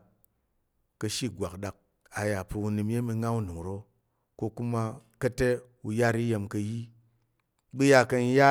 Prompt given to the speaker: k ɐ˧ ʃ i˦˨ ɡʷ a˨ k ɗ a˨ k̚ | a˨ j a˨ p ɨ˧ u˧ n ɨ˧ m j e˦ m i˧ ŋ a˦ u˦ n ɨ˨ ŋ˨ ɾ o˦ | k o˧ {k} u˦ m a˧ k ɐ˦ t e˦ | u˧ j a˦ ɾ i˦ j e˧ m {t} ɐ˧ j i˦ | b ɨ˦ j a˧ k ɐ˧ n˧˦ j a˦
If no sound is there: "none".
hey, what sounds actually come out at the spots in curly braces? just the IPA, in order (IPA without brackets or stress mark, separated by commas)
k, k